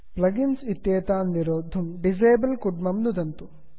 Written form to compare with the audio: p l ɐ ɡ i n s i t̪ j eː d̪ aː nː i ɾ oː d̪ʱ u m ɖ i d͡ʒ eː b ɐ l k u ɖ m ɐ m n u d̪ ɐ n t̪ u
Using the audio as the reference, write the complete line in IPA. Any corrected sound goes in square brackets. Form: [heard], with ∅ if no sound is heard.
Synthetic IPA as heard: p l ɐ ɡ i n s i t̪ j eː [t̪] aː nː i ɾ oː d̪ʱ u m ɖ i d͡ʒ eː b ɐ l k u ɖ m ɐ m n u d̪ ɐ n t̪ u